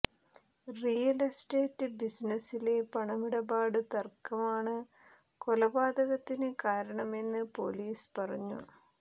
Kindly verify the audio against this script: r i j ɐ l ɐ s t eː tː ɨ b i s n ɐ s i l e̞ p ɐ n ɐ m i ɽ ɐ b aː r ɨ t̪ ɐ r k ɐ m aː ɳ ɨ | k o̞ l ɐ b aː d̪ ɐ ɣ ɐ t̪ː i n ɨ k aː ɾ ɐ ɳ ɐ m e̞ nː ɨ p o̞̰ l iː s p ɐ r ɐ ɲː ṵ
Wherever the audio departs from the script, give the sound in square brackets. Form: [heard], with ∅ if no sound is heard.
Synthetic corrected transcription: r i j ɐ l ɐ s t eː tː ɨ b i s n ɐ s i l e̞ p ɐ [ɳ] ɐ m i ɽ ɐ b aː [ɽ] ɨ t̪ ɐ r k ɐ m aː ɳ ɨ | k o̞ l ɐ b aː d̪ ɐ ɣ ɐ t̪ː i n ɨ k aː ɾ ɐ ɳ ɐ m e̞ nː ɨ p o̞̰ l iː s p ɐ r ɐ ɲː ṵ